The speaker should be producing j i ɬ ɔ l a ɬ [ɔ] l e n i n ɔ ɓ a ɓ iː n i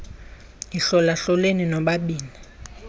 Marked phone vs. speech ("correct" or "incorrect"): correct